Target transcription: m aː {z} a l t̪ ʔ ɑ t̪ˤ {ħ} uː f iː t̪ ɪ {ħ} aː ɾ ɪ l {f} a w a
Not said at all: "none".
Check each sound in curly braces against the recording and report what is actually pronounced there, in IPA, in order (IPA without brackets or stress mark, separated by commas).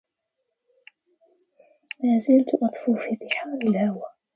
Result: z, f, ħ, h